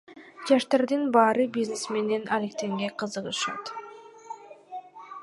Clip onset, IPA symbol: d͡ʒ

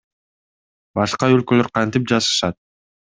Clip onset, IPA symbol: b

